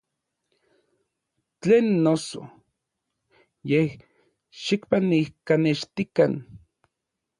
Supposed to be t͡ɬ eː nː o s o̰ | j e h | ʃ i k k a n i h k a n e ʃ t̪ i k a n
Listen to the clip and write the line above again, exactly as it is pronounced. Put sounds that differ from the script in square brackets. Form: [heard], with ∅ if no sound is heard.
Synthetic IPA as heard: t͡ɬ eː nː o s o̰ | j e h | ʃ i k [p] a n i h k a n e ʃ t̪ i k a n